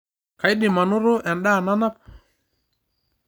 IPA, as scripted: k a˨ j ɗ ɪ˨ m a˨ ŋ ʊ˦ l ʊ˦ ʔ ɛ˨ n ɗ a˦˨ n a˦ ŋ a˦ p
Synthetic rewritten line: k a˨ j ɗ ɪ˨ m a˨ n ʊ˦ ɾ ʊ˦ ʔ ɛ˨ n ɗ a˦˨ n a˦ n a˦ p